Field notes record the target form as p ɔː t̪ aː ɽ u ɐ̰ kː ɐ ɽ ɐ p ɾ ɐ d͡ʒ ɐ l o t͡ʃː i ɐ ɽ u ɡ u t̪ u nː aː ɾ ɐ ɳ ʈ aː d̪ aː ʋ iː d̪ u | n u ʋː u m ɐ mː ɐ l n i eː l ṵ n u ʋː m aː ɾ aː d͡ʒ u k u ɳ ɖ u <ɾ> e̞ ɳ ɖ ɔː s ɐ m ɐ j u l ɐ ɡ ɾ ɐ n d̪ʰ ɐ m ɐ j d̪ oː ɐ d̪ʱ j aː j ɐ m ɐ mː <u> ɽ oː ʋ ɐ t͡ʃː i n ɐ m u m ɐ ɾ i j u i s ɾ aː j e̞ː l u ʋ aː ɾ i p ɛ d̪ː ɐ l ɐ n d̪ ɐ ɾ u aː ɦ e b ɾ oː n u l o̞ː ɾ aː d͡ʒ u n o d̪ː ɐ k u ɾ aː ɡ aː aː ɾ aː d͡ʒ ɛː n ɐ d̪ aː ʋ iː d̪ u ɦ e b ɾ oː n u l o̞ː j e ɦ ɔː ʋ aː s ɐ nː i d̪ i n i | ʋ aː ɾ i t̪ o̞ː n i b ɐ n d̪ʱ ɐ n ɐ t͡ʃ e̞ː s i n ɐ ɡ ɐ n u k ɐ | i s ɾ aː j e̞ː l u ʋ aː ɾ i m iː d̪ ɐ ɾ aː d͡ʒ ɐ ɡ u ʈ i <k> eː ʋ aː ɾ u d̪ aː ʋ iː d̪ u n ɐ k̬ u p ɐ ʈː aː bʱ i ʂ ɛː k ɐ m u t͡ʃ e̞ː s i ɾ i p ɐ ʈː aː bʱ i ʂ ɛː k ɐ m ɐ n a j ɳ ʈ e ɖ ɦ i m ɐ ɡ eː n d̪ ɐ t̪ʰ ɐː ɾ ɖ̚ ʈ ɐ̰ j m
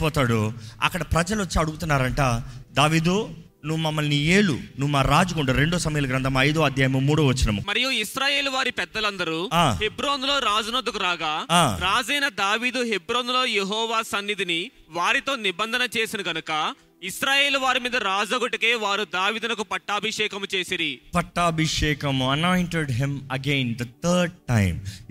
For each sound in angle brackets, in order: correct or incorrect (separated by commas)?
correct, incorrect, correct